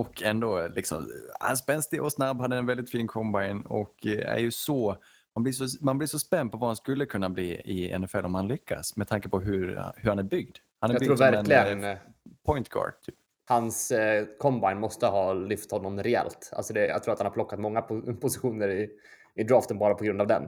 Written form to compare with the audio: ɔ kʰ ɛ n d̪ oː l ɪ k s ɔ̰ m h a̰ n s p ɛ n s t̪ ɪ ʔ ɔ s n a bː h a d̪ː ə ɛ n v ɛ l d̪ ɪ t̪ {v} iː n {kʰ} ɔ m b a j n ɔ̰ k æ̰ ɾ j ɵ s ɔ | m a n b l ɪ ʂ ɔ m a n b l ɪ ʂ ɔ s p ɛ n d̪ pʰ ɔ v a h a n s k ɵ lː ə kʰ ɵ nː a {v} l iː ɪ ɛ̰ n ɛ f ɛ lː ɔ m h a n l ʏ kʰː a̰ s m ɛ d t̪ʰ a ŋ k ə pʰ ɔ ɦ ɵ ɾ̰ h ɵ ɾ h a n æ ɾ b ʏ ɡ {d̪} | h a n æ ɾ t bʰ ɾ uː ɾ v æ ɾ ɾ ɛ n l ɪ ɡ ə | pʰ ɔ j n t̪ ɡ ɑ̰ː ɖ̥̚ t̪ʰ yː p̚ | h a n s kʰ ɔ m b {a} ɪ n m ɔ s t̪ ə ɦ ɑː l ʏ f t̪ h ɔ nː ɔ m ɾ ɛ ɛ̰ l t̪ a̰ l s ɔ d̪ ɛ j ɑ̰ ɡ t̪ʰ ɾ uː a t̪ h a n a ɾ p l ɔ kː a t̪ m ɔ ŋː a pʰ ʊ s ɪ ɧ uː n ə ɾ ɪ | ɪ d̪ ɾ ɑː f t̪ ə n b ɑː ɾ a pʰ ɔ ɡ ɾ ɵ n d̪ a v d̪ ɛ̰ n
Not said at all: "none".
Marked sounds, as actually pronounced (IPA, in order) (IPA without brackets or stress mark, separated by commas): f, kʰ, b, d̪, a